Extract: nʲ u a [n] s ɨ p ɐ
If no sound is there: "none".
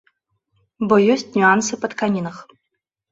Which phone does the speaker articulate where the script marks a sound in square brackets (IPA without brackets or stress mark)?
n